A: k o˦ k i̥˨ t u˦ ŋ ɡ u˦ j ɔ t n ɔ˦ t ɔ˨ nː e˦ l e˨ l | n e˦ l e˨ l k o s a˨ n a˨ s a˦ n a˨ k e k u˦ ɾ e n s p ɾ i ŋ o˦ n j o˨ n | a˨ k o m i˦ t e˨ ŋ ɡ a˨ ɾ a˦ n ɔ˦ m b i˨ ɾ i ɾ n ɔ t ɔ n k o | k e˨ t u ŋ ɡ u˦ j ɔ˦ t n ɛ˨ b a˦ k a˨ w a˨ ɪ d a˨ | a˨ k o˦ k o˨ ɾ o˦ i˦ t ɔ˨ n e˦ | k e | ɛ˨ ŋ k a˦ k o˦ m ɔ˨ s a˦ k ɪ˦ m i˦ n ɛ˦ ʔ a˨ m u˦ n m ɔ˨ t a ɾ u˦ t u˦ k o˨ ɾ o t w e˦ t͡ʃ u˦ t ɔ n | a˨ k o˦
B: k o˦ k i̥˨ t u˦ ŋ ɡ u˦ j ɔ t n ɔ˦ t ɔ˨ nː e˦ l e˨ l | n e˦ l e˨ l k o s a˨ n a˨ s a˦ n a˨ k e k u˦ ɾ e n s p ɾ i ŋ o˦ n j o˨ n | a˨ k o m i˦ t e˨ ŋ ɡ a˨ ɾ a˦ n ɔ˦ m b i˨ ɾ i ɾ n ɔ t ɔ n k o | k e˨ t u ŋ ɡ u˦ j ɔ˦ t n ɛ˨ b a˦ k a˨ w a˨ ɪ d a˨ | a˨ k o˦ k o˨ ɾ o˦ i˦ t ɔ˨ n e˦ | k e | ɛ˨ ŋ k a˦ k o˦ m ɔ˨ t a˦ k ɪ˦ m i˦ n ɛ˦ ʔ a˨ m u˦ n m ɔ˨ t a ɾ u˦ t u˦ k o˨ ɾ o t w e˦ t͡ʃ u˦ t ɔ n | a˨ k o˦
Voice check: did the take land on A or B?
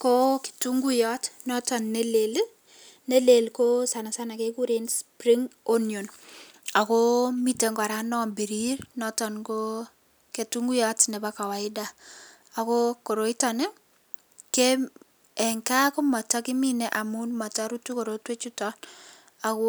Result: B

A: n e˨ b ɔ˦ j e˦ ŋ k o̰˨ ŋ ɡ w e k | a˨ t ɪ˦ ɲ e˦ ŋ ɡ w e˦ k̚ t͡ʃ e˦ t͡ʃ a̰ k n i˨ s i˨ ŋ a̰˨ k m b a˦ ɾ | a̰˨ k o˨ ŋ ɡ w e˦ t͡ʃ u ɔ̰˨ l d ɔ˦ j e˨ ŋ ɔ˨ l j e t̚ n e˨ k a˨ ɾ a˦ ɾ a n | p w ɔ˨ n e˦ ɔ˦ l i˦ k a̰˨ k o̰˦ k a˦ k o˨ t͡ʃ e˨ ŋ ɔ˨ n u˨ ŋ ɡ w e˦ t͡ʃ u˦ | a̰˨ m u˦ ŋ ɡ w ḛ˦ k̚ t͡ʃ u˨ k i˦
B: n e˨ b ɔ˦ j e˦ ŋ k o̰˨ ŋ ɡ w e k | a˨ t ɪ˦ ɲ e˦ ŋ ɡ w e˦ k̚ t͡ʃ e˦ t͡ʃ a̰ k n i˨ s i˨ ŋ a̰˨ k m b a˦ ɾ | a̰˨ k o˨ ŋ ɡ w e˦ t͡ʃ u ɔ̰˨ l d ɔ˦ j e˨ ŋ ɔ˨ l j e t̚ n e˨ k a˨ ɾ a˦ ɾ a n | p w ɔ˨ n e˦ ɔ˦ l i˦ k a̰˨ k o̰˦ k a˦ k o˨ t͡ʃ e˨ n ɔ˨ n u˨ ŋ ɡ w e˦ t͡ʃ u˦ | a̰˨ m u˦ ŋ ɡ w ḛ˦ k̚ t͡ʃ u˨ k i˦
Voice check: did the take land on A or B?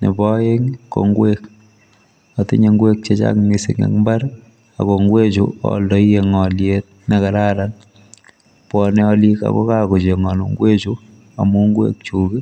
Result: A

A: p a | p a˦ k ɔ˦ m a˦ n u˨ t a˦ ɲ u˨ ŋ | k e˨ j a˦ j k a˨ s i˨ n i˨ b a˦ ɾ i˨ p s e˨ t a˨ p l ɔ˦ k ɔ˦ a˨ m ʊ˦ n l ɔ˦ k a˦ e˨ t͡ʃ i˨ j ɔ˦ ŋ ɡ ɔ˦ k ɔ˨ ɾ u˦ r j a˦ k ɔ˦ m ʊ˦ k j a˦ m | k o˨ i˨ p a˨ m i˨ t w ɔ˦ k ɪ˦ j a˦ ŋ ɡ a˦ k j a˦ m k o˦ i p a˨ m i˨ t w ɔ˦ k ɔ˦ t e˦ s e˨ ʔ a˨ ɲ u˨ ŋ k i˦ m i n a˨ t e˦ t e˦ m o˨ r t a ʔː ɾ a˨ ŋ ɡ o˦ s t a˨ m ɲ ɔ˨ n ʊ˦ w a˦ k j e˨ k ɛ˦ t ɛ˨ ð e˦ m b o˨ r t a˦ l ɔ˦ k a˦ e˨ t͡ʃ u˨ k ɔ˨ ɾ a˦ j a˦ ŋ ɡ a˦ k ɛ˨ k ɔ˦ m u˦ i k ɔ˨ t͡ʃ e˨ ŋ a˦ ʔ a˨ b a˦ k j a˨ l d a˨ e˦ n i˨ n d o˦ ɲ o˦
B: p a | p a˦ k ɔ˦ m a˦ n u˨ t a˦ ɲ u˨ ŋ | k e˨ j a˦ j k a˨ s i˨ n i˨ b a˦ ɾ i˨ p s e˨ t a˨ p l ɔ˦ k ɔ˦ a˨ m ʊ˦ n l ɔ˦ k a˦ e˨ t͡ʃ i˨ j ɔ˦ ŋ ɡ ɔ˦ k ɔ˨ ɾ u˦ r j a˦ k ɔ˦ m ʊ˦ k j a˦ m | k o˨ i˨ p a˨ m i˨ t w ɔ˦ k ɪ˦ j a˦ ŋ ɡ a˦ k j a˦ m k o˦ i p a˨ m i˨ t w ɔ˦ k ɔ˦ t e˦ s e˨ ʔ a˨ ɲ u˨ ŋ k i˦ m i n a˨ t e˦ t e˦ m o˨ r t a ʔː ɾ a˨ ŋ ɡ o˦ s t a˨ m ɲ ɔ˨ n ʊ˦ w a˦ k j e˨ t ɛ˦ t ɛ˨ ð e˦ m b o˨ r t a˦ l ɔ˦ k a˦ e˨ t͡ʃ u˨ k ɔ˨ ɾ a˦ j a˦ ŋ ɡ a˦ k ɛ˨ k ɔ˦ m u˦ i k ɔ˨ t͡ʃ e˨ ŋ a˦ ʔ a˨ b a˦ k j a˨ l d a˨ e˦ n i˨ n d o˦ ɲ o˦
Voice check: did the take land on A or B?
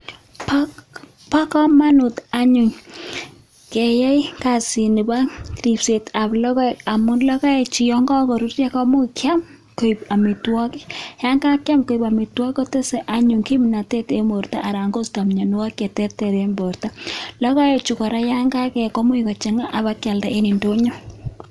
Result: B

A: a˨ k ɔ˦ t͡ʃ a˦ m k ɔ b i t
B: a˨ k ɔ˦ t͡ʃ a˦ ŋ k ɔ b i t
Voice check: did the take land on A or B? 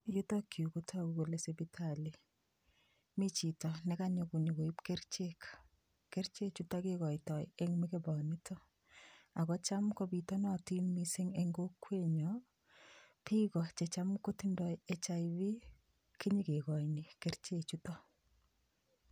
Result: A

